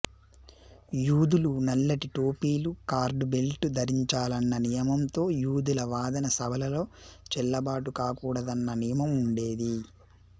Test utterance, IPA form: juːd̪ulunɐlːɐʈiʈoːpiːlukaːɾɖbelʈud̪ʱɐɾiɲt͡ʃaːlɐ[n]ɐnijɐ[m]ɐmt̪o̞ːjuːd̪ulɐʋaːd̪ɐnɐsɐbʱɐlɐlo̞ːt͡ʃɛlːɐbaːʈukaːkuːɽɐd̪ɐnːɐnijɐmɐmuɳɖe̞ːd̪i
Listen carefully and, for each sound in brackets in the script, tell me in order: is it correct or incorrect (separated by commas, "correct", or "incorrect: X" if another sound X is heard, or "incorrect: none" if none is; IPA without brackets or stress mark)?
incorrect: nː, correct